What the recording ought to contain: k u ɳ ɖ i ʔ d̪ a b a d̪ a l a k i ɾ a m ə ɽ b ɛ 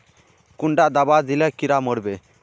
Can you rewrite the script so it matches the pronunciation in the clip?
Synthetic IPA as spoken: k u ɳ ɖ a ʔ d̪ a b a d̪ i l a k i ɾ a m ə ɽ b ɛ